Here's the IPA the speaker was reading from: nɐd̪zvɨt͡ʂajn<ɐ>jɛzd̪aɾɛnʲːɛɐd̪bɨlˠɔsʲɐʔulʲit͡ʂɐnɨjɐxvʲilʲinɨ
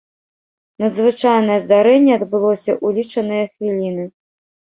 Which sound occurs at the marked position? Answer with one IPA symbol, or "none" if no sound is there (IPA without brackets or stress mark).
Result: ɐ